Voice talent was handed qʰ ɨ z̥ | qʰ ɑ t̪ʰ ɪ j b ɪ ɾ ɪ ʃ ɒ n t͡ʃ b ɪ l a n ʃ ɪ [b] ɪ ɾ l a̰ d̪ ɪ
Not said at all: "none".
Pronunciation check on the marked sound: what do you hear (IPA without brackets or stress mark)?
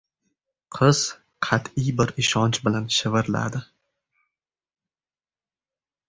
v